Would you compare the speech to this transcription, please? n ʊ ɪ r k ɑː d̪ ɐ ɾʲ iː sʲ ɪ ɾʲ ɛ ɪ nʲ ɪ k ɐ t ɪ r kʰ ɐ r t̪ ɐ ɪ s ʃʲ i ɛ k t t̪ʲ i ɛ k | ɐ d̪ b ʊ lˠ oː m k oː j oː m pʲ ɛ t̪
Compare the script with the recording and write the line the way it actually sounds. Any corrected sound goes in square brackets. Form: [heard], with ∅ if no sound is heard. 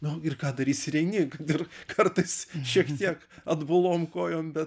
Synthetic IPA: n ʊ ɪ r k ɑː d̪ ɐ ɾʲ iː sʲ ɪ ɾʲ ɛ ɪ nʲ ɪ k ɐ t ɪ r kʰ ɐ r t̪ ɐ ɪ s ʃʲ i ɛ k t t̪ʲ i ɛ k | ɐ d̪ b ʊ lˠ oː m k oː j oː m [bʲ] ɛ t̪